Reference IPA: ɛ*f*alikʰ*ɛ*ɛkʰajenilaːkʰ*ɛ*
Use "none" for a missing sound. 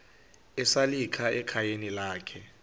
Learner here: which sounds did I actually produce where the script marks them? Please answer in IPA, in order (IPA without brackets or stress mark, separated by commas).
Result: s, a, ɛ